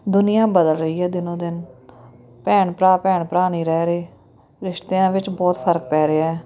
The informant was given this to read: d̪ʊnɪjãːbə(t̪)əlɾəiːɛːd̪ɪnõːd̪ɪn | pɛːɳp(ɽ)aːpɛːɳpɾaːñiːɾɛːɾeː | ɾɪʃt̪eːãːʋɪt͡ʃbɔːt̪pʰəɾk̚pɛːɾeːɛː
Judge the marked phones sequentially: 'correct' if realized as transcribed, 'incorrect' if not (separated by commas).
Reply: incorrect, incorrect